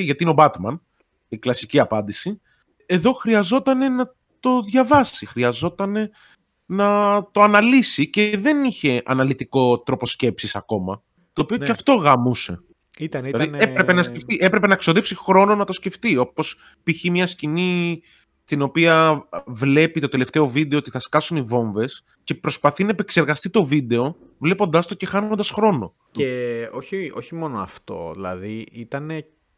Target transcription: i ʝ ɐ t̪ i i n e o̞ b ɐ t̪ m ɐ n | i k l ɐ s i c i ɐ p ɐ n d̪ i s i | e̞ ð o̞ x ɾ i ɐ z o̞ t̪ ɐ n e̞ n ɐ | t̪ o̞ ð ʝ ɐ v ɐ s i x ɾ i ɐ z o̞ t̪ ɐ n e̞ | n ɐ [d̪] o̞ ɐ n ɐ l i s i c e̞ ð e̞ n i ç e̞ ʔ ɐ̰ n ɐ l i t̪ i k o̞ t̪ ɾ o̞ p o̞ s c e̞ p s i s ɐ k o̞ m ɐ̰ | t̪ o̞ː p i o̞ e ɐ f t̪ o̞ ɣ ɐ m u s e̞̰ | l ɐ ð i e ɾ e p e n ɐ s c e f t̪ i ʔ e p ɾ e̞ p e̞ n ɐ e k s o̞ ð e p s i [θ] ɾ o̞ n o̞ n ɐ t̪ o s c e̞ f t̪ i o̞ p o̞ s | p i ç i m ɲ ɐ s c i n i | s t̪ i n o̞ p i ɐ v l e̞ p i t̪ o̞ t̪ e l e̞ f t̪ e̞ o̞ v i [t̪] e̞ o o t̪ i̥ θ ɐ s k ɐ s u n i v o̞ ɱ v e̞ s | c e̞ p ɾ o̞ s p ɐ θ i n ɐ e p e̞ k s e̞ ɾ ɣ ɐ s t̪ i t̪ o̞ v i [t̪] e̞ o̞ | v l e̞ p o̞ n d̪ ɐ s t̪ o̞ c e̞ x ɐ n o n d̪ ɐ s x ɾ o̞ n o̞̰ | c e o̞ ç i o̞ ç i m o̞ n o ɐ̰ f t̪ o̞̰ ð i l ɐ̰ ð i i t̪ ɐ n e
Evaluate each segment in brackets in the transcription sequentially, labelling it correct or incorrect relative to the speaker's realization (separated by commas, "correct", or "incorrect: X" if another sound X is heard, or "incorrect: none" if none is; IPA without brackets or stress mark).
incorrect: t̪, incorrect: x, incorrect: d̪, incorrect: d̪